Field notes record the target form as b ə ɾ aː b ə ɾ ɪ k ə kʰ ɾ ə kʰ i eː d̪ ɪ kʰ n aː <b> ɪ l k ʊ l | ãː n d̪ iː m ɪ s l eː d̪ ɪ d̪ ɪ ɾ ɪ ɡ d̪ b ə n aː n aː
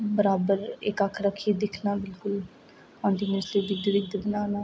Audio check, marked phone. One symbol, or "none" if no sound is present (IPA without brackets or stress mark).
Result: b